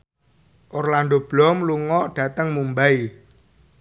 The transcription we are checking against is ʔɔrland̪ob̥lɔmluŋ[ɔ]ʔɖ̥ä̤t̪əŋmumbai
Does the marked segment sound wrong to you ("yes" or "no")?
no